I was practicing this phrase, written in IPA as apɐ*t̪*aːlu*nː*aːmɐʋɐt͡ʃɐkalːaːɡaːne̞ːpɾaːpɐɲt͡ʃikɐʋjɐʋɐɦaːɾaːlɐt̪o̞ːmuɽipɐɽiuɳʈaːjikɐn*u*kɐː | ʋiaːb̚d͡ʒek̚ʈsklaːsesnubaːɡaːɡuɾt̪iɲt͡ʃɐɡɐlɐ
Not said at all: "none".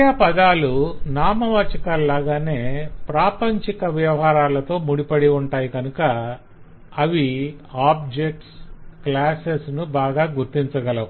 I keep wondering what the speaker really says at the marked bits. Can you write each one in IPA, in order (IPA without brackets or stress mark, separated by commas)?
d̪, n, u